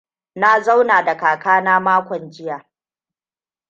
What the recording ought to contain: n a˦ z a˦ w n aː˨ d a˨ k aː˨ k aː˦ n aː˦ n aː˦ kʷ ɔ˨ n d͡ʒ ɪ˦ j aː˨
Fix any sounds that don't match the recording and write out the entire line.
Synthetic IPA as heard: n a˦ z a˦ w n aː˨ d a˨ k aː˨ k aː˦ n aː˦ m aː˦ kʷ ɔ˨ n d͡ʒ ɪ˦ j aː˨